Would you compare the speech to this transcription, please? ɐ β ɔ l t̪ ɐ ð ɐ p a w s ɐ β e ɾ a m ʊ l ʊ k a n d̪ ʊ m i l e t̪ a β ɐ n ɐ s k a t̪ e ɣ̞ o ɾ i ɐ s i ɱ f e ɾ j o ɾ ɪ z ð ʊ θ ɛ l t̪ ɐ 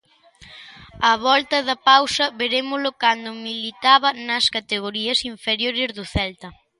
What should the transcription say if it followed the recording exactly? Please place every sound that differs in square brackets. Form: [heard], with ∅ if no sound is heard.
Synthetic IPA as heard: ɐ β ɔ l t̪ ɐ ð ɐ p a w s ɐ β e ɾ [e] m ʊ l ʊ k a n d̪ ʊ m i l [i] t̪ a β ɐ n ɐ s k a t̪ e ɣ̞ o ɾ i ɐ s i ɱ f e ɾ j o ɾ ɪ z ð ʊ θ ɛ l t̪ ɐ